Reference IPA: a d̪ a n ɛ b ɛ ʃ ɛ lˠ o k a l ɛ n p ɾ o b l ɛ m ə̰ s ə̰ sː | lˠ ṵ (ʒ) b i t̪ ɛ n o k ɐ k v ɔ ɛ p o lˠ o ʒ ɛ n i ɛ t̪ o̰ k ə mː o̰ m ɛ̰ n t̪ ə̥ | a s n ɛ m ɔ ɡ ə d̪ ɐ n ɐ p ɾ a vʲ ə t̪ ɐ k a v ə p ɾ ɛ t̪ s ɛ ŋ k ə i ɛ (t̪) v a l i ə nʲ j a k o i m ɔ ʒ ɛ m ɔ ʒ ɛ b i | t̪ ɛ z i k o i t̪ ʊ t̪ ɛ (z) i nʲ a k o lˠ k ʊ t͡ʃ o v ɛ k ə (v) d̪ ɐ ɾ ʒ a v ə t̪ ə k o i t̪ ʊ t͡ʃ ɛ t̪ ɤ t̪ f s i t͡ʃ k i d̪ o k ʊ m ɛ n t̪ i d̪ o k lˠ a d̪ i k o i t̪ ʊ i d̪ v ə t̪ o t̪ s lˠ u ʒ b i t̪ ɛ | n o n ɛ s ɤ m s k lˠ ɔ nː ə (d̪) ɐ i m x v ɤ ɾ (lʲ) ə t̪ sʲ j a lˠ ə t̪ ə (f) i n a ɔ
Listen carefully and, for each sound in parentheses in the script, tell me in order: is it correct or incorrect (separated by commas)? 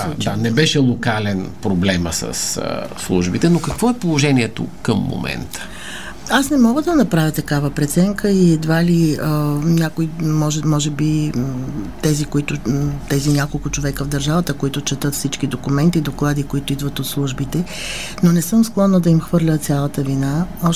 correct, incorrect, correct, correct, correct, correct, incorrect